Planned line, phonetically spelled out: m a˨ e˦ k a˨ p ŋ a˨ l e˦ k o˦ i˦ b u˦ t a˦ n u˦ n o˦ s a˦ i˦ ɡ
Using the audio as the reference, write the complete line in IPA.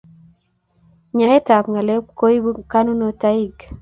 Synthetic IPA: ɲ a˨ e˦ t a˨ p ŋ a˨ l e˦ k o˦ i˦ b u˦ k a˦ n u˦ n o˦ t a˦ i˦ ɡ